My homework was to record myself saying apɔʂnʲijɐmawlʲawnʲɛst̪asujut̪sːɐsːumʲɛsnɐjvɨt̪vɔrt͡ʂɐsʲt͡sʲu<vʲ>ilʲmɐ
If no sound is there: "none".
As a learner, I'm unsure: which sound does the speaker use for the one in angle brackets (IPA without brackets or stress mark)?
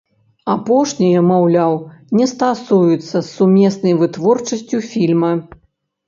fʲ